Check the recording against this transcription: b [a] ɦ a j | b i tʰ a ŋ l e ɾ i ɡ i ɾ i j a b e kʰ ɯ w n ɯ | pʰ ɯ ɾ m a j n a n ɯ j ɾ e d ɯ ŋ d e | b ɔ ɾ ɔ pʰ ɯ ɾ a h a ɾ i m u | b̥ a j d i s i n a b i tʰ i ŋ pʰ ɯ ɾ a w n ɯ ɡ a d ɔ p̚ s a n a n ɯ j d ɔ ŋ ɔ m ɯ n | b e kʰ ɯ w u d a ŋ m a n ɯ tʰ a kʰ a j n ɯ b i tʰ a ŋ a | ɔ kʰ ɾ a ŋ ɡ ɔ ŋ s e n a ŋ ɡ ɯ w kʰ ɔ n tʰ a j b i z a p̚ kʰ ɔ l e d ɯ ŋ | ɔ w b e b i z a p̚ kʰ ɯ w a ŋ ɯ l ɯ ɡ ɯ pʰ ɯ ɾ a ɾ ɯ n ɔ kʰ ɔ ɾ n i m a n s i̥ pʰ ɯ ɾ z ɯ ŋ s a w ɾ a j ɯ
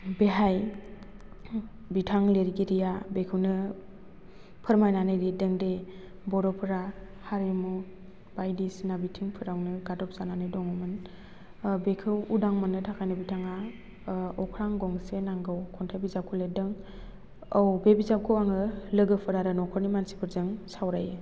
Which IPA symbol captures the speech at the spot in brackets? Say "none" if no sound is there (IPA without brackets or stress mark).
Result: e